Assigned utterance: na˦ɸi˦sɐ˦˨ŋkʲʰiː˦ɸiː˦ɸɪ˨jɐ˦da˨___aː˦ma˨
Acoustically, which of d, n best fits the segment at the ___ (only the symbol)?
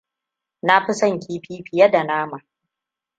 n